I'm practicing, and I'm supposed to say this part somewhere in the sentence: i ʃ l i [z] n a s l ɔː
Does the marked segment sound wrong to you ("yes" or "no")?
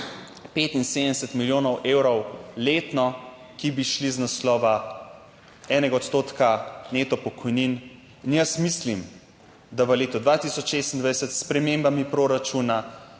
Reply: no